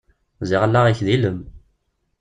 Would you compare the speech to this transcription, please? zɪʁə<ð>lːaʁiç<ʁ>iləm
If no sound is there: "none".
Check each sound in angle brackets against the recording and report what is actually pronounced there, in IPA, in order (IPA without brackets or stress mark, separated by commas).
none, ð